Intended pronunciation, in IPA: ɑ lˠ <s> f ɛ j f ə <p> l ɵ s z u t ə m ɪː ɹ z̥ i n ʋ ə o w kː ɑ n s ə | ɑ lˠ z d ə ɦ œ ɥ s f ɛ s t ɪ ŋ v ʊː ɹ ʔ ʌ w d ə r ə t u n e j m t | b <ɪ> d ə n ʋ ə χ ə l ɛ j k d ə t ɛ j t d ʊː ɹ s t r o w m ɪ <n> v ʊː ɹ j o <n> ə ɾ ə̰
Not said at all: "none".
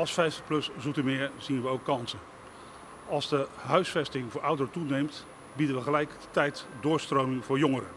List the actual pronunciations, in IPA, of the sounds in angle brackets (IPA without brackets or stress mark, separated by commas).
s, p, i, ŋ, ŋ